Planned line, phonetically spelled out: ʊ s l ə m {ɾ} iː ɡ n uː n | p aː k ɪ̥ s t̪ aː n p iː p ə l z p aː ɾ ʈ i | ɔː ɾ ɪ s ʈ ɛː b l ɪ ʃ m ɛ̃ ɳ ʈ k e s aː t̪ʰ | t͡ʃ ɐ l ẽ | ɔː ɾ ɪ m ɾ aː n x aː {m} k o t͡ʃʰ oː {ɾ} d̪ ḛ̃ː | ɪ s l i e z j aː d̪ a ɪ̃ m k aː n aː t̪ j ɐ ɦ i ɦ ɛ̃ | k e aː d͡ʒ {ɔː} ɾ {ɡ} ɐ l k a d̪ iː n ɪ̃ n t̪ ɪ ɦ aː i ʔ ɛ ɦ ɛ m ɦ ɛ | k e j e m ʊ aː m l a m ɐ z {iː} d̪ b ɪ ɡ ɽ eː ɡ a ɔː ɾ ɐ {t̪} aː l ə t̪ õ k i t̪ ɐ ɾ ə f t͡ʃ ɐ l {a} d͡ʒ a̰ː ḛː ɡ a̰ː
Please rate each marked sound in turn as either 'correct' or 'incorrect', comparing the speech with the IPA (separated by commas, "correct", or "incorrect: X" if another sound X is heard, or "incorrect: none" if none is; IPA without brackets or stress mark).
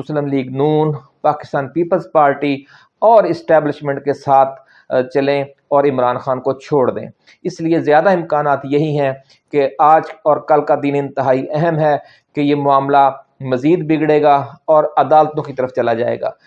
incorrect: l, incorrect: n, incorrect: ɽ, correct, incorrect: k, correct, incorrect: d̪, correct